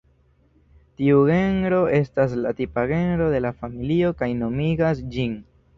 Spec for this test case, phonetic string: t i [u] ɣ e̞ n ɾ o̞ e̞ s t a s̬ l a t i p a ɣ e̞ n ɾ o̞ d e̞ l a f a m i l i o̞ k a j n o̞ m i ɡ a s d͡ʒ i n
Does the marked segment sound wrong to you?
no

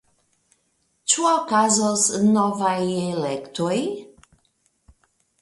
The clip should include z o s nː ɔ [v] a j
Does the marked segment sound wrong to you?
no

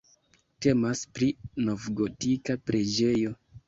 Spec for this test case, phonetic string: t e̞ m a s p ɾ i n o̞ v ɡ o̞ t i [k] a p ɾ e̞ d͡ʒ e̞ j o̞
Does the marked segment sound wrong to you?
no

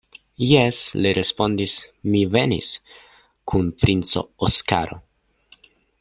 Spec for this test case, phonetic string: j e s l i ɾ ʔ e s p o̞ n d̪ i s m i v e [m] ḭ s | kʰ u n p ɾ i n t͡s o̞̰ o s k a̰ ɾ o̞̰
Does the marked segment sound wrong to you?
yes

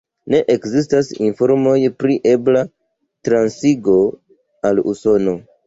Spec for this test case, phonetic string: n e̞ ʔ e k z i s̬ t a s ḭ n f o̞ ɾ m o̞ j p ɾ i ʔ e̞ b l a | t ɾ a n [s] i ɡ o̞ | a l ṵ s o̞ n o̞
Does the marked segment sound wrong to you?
no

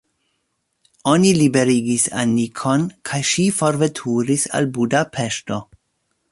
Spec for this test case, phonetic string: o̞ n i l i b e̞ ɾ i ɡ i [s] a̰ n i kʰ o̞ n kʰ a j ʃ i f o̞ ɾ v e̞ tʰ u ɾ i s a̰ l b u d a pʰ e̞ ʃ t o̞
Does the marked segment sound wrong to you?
no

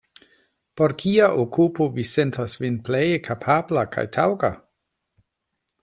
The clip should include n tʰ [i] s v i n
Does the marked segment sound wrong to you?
yes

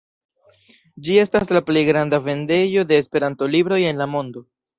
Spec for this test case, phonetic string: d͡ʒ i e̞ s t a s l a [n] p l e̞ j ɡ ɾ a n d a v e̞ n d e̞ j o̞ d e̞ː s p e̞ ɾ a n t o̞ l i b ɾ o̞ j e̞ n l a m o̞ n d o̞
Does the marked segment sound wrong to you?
yes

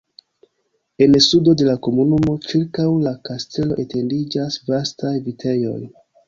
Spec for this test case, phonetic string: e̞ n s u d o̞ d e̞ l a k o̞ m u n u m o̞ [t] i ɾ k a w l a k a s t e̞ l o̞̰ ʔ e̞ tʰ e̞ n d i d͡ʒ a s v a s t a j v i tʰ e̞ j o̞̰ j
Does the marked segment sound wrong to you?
yes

